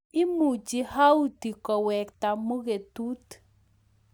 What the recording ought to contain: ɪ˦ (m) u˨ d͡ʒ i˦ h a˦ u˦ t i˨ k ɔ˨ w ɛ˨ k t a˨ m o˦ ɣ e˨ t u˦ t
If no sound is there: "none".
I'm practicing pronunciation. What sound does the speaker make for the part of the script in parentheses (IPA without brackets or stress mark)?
m